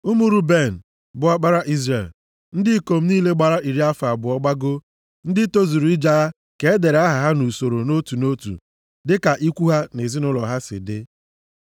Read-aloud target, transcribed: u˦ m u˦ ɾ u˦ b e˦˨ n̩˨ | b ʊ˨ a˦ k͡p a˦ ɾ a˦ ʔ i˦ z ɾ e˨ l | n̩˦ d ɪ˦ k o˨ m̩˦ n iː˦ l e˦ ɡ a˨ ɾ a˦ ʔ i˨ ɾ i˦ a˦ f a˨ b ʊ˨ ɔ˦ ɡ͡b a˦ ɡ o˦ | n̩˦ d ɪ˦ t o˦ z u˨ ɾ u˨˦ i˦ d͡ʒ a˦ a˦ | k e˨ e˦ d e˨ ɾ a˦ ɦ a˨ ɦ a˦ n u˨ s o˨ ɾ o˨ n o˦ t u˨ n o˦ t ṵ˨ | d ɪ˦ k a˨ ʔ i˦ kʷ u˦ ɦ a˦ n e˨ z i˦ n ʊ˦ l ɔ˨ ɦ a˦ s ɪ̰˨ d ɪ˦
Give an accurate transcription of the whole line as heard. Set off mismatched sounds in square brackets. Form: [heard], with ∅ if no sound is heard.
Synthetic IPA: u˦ m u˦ ɾ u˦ b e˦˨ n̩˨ | b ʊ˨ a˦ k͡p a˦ ɾ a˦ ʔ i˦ z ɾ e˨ l | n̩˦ d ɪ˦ k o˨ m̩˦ n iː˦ l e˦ [ɡ͡b] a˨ ɾ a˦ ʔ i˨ ɾ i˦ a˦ f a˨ b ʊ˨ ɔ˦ ɡ͡b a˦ ɡ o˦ | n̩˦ d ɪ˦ t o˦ z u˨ ɾ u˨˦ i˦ d͡ʒ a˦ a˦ | k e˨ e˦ d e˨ ɾ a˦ ɦ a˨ ɦ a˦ n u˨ s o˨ ɾ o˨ n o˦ t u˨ n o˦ t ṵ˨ | d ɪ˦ k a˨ ʔ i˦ kʷ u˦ ɦ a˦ n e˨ z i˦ n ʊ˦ l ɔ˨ ɦ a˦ s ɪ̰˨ d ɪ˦